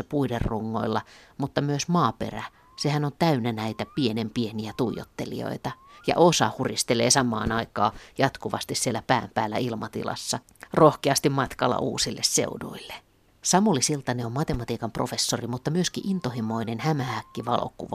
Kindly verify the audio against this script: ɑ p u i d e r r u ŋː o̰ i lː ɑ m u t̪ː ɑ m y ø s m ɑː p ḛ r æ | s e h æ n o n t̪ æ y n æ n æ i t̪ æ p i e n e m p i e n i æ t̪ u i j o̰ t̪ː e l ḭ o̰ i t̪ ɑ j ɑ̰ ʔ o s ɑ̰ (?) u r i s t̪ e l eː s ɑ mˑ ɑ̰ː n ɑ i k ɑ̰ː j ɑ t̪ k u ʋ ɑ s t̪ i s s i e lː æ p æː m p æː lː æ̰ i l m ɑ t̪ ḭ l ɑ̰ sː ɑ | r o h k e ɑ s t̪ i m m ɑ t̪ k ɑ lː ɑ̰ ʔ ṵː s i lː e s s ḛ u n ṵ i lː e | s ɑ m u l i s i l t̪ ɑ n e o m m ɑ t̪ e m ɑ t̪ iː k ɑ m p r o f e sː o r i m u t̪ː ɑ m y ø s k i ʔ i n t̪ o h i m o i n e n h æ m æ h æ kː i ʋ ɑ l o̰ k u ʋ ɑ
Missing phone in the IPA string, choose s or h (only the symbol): h